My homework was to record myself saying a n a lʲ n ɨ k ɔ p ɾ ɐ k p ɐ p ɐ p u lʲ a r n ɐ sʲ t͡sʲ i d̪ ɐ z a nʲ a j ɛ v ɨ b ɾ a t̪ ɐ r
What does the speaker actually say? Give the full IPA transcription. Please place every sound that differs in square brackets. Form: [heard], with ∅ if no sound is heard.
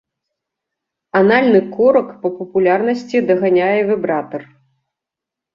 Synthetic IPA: a n a lʲ n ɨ k ɔ [∅] ɾ ɐ k p ɐ p ɐ p u lʲ a r n ɐ sʲ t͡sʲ i d̪ ɐ [ɣ] a nʲ a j ɛ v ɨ b ɾ a t̪ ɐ r